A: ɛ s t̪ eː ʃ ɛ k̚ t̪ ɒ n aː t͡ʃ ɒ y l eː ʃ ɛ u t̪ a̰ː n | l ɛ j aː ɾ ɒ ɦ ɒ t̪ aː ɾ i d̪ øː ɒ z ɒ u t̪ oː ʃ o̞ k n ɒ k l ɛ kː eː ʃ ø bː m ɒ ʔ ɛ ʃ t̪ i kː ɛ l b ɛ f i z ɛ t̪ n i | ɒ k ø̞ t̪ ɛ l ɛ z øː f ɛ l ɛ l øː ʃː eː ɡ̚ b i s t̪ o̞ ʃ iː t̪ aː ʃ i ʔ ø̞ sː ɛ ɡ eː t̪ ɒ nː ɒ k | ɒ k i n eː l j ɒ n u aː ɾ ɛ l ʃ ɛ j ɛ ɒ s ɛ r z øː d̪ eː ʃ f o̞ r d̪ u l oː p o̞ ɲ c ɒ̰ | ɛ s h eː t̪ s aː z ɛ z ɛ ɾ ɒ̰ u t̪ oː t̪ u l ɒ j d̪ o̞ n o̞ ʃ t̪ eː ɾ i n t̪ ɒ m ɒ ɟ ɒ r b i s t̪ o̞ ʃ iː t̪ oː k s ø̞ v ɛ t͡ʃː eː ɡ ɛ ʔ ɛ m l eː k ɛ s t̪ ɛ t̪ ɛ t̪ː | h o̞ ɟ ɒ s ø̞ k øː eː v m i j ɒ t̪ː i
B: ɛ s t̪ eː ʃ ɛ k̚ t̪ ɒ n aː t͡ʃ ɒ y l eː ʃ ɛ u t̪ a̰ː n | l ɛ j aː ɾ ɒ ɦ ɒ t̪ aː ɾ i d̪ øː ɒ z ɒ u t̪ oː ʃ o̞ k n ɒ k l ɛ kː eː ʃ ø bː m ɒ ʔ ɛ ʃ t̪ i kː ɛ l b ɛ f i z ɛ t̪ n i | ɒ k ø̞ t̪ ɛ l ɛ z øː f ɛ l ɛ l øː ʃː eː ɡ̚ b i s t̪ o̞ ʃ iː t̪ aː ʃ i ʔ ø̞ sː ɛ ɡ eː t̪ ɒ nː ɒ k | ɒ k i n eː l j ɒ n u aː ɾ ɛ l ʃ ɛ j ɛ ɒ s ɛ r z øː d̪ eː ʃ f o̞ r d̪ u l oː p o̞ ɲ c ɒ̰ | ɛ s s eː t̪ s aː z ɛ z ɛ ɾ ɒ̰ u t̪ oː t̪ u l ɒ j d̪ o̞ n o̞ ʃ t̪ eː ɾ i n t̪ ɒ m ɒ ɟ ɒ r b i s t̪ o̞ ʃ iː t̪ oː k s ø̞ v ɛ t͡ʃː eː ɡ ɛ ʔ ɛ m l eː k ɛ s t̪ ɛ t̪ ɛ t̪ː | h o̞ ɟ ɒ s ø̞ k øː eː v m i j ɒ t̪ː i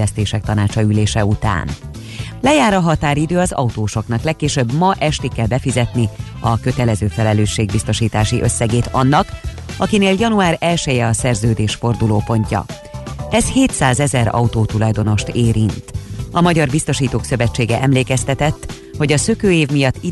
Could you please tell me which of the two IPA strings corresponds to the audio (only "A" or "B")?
A